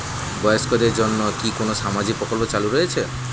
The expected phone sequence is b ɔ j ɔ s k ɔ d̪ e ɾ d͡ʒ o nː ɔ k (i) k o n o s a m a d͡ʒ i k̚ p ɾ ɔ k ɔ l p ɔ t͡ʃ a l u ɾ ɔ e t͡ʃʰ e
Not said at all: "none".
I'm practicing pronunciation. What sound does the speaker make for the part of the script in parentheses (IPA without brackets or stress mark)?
i